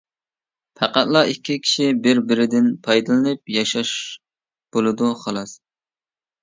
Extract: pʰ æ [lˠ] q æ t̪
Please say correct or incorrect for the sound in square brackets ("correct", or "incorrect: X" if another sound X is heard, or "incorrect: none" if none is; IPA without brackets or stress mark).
incorrect: none